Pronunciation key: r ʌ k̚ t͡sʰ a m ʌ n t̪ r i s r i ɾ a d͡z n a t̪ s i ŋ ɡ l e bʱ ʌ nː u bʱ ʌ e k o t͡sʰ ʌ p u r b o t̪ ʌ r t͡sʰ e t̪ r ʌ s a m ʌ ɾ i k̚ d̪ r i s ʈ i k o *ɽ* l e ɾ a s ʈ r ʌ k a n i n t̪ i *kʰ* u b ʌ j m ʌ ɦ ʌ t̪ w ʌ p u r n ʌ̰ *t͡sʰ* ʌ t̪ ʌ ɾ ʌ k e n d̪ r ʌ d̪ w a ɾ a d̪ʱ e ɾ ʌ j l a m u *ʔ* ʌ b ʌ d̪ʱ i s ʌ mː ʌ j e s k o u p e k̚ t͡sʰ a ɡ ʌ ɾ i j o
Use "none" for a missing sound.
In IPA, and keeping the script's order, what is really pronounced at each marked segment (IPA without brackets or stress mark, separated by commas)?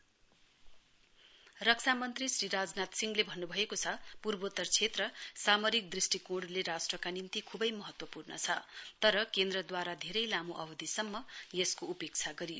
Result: ɽ, kʰ, t͡sʰ, ʔ